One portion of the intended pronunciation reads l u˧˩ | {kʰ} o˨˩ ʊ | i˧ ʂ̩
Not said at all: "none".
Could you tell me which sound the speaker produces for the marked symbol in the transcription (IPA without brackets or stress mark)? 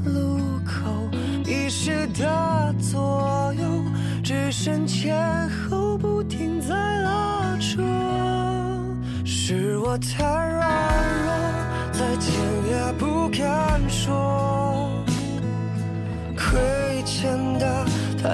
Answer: kʰ